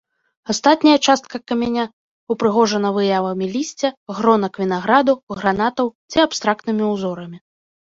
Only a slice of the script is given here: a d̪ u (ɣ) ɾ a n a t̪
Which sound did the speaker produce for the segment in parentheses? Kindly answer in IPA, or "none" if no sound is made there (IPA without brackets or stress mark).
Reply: ɣ